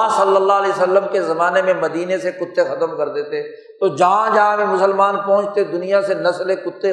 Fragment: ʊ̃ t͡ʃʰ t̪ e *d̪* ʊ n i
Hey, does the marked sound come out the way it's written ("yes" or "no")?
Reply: yes